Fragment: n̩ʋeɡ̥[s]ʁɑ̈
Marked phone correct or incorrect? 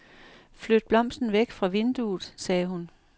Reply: incorrect